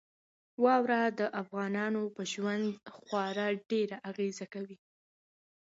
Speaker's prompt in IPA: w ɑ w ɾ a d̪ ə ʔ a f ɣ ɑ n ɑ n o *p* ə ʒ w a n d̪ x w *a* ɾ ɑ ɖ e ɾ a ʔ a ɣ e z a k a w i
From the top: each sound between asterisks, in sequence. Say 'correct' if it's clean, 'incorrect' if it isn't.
correct, incorrect: ɑ

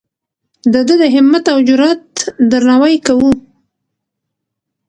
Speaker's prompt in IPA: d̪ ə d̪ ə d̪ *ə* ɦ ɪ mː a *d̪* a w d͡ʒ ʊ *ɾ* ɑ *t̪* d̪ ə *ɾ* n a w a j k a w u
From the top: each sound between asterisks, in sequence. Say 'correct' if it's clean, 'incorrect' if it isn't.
correct, incorrect: t̪, correct, correct, correct

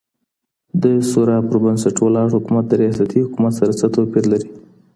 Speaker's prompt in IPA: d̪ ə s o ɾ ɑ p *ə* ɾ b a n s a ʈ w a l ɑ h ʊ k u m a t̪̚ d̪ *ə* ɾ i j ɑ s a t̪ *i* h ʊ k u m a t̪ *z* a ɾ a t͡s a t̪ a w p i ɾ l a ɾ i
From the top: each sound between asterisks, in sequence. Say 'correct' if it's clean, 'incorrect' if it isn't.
correct, correct, correct, incorrect: s

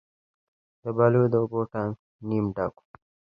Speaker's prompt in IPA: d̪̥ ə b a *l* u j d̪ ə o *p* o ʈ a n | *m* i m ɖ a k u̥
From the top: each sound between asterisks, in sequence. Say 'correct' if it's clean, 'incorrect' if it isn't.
correct, incorrect: b, incorrect: n

